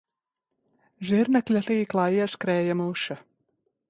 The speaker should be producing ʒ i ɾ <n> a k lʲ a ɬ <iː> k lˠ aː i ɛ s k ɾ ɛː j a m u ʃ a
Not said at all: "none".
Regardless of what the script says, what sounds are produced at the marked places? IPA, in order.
n, iː

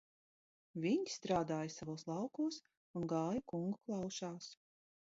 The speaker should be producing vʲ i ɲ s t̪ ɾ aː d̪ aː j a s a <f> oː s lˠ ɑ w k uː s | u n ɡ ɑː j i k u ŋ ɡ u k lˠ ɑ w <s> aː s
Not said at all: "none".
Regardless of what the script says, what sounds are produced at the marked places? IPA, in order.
v, ʃ

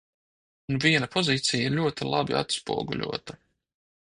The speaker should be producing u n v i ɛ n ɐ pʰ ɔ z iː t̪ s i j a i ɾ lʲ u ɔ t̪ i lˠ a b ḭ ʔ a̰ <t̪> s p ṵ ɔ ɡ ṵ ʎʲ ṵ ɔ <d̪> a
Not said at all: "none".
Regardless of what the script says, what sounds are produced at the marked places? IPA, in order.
t̪, t̪

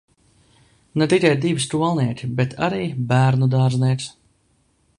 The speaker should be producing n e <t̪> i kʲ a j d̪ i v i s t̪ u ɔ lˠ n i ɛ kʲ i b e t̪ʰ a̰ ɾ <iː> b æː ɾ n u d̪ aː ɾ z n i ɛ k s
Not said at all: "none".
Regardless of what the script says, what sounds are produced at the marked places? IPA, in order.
t̪, iː

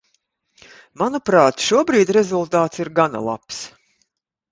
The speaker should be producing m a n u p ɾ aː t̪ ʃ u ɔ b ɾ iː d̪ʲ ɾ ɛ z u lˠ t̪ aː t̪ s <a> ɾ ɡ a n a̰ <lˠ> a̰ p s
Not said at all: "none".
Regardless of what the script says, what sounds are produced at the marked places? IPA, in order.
i, lˠ

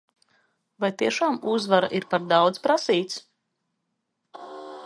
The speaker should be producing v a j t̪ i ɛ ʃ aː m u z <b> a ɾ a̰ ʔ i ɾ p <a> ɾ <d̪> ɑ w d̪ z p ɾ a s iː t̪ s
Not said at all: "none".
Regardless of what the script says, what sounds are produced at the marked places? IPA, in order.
v, a, d̪

